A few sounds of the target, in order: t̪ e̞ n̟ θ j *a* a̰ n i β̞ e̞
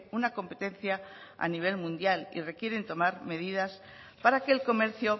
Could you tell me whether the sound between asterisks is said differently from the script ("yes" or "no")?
no